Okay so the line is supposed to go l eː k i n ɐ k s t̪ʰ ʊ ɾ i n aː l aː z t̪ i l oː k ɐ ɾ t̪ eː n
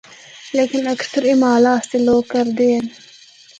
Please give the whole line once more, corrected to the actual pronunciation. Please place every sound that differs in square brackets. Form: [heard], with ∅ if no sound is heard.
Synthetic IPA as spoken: l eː k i n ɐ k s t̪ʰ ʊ ɾ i [m] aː l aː [s] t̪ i l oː k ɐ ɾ [d̪] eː n